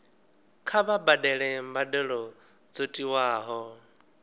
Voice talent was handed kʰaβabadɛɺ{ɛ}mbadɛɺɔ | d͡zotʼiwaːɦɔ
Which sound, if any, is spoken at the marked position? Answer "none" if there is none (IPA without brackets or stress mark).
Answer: ɛ